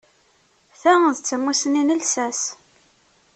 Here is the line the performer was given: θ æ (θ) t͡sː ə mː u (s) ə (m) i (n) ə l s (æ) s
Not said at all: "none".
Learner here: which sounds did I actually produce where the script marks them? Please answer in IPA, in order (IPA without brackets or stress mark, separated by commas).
ð, s, n, n, æ